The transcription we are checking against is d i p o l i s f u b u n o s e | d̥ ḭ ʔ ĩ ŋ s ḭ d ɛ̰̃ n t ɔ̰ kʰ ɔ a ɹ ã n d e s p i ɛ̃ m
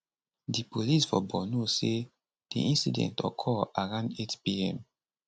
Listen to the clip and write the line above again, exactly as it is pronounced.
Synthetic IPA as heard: d i p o l i s f ɔ b ɔ n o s e | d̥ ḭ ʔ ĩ n s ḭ d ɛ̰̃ n t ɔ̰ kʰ ɔ a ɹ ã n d e t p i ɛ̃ m